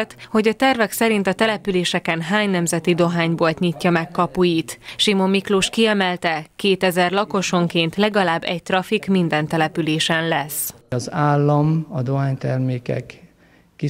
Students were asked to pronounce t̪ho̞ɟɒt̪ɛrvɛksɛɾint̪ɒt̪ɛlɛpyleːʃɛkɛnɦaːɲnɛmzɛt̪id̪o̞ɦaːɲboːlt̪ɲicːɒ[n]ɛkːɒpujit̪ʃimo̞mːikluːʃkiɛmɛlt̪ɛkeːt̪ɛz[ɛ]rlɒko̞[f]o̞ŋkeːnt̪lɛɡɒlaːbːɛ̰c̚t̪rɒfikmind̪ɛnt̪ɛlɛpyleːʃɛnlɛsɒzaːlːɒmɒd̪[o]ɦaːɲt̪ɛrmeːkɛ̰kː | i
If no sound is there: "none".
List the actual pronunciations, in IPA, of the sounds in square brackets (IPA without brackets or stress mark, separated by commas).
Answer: m, ɛ, ʃ, o